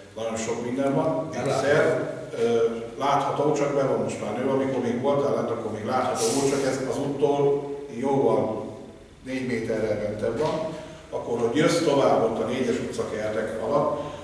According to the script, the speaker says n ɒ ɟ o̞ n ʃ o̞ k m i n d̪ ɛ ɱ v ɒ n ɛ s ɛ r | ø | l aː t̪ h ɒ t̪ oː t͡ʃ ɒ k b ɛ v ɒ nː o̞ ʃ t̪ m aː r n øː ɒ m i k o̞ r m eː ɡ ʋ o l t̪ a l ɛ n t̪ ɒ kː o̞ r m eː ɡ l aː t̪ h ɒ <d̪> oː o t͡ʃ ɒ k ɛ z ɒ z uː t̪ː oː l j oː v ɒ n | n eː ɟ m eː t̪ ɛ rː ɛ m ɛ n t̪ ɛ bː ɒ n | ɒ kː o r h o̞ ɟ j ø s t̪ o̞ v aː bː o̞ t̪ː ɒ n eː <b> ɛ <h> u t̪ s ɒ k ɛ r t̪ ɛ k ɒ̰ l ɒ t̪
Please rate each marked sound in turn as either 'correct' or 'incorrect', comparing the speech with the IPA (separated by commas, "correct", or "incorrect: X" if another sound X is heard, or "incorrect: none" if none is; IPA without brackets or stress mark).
incorrect: t̪, incorrect: ɟ, incorrect: ʃ